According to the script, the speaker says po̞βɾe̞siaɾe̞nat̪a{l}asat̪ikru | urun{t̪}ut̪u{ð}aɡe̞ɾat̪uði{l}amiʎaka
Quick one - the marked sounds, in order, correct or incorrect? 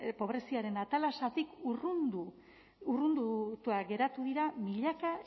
correct, incorrect: d̪, incorrect: none, incorrect: ɾ

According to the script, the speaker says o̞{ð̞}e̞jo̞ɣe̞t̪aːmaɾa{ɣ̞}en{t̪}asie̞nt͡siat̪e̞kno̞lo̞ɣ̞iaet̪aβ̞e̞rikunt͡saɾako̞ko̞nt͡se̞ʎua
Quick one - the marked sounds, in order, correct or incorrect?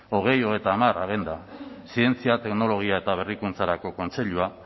incorrect: ɣ̞, correct, incorrect: d̪

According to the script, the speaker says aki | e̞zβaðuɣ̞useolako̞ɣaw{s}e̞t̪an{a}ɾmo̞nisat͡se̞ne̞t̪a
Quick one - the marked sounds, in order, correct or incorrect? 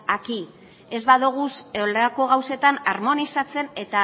correct, correct

